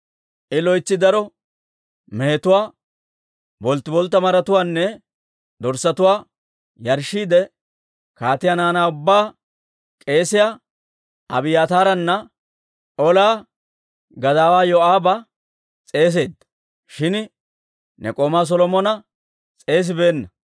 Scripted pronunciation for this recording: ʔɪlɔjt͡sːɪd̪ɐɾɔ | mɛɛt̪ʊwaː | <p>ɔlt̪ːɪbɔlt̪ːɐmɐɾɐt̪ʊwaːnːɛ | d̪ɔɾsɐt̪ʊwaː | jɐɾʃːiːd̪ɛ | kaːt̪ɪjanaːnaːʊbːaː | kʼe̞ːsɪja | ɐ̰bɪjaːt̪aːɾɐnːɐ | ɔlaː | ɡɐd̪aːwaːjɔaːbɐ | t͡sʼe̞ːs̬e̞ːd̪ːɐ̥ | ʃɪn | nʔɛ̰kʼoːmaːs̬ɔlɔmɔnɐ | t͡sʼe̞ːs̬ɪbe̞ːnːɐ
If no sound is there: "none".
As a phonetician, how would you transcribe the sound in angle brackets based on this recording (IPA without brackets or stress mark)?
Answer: b